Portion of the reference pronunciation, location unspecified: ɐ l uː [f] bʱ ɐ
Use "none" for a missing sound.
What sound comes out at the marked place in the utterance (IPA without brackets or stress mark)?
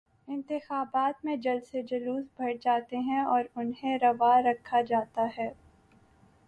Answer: s